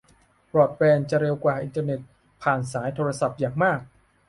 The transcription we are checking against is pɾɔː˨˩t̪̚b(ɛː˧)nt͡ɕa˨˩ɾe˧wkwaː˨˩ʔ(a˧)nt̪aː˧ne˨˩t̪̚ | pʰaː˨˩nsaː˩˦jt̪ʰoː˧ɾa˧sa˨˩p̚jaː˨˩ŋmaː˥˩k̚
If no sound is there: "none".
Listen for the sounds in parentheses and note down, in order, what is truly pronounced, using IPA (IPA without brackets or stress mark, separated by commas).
ɛː˧, i˧